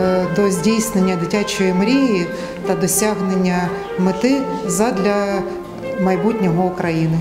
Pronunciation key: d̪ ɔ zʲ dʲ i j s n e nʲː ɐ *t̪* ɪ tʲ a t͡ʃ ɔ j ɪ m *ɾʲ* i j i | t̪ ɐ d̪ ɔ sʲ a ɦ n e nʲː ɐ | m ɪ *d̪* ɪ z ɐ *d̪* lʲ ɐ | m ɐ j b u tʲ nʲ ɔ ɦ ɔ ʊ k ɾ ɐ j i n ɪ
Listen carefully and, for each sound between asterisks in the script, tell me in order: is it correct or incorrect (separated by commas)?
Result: incorrect, correct, incorrect, correct